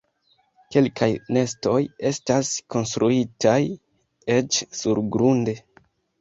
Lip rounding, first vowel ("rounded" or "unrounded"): unrounded